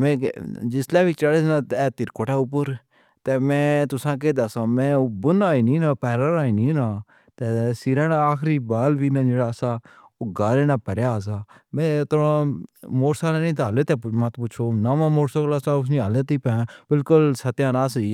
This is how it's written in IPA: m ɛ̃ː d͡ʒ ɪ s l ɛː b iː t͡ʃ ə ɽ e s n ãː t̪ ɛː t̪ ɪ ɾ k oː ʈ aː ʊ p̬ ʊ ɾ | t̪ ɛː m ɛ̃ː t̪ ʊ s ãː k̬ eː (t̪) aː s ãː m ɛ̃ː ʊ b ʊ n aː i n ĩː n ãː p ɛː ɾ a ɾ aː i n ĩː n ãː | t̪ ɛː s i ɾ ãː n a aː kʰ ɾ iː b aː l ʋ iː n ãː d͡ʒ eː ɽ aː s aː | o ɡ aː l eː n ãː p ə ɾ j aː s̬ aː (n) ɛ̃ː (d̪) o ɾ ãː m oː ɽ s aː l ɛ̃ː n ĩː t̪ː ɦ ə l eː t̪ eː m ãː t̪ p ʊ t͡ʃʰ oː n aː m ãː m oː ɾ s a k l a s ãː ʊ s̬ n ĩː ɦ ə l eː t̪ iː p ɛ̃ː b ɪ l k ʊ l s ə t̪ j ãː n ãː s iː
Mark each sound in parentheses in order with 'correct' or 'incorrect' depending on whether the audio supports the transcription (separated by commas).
incorrect, incorrect, incorrect